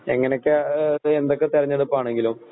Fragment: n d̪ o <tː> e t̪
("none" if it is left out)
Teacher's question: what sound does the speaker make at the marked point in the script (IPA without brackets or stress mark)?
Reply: kː